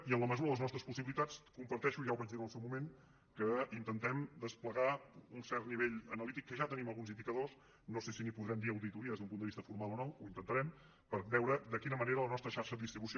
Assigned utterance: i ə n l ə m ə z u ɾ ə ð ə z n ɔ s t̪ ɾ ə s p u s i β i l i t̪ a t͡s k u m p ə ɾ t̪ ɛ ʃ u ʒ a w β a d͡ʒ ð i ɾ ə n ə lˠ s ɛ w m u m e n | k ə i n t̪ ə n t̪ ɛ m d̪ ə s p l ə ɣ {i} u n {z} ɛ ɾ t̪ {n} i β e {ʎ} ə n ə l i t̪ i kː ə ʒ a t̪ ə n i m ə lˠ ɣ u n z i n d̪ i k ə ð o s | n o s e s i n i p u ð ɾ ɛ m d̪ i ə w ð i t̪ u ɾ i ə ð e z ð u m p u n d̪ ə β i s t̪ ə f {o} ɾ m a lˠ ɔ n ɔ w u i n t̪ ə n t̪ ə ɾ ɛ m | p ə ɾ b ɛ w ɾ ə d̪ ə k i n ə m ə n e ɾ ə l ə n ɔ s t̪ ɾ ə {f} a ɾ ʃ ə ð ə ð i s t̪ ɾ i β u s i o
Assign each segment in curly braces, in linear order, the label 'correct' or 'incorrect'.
incorrect: a, incorrect: s, correct, correct, incorrect: u, incorrect: ʃ

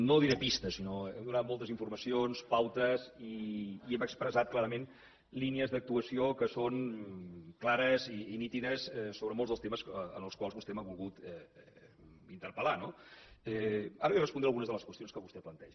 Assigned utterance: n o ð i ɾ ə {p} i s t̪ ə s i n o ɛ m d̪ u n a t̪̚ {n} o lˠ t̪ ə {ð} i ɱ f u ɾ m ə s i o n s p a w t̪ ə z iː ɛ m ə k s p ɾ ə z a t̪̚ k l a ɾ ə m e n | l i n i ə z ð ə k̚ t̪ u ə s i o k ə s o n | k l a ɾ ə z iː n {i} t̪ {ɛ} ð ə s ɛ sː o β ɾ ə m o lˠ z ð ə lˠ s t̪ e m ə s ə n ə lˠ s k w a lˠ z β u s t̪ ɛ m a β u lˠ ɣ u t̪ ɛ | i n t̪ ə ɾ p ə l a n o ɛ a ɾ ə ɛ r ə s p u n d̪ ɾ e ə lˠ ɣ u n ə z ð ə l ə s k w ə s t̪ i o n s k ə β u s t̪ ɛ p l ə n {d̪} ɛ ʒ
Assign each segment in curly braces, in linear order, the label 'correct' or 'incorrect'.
correct, incorrect: m, incorrect: z, correct, incorrect: i, incorrect: t̪

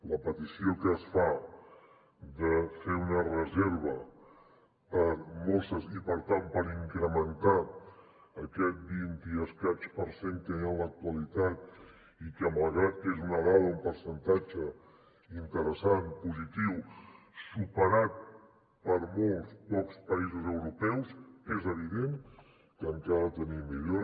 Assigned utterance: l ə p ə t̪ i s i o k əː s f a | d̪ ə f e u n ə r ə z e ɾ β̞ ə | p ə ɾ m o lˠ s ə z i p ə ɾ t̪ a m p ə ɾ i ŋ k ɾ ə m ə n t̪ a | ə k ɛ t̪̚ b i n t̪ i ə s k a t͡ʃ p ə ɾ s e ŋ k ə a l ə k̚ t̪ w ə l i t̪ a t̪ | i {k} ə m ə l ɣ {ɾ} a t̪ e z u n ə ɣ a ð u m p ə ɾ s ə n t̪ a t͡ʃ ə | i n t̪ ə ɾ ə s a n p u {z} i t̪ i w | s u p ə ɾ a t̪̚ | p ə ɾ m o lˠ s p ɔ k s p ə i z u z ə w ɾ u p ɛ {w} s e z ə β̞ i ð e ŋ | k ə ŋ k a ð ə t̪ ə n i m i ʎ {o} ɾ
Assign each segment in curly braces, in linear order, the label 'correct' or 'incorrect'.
correct, correct, correct, correct, correct

